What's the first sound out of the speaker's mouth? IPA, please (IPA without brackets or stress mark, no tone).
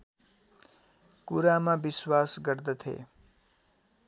k